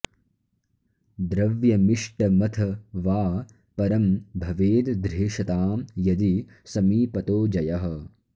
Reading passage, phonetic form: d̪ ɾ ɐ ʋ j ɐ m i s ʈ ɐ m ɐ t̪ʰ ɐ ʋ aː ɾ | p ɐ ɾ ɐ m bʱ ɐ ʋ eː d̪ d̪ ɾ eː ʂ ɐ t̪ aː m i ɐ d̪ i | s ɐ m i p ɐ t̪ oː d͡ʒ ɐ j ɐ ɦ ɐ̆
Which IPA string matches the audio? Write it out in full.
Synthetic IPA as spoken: d̪ ɾ ɐ ʋ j ɐ m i ʂ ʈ ɐ m ɐ t̪ʰ ɐ ʋ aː | p ɐ ɾ ɐ m bʱ ɐ ʋ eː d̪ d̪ ɾ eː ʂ ɐ t̪ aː m j ɐ d̪ i | s ɐ m iː p ɐ t̪ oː d͡ʒ ɐ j ɐ ɦ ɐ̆